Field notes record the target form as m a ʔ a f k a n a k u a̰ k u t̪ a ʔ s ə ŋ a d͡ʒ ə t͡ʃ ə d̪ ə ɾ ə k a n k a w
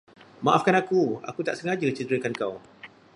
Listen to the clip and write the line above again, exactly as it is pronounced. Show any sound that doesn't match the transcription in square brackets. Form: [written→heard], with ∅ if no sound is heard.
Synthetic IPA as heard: m a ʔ a f k a n a k u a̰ k u t̪ a ʔ s ə ŋ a d͡ʒ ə t͡ʃ ə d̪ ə ɾ ə k a n k a w